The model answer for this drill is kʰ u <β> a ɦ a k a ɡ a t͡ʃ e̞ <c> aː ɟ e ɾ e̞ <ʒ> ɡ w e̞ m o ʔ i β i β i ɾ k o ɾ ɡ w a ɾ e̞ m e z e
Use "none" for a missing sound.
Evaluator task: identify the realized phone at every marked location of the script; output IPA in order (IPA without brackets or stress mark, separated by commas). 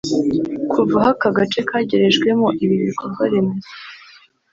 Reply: v, k, ʒ